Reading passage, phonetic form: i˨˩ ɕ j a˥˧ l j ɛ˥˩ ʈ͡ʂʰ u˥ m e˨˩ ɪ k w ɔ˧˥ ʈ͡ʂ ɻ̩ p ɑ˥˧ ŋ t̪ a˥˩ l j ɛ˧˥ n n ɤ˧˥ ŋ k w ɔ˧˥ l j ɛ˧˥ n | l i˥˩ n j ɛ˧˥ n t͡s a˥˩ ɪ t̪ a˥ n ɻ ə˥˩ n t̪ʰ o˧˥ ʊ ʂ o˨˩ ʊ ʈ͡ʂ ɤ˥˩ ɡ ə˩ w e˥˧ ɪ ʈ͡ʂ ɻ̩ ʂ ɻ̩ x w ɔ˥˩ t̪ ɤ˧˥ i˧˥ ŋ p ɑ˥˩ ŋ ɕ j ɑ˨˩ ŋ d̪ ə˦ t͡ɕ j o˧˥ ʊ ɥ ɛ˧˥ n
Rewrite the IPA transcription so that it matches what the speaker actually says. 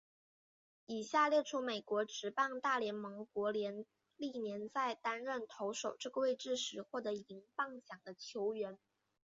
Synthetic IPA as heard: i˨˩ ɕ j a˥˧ l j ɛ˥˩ ʈ͡ʂʰ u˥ m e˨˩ ɪ k w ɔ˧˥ ʈ͡ʂ ɻ̩ p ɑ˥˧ ŋ t̪ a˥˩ l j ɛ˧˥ n m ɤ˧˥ ŋ k w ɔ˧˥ l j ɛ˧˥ n | l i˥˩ n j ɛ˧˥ n t͡s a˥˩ ɪ t̪ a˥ n ɻ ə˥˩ n t̪ʰ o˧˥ ʊ ʂ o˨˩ ʊ ʈ͡ʂ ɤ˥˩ ɡ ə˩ w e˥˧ ɪ ʈ͡ʂ ɻ̩ ʂ ɻ̩ x w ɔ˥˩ t̪ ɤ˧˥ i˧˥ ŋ p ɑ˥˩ ŋ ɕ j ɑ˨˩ ŋ d̪ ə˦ t͡ɕʰ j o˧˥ ʊ ɥ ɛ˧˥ n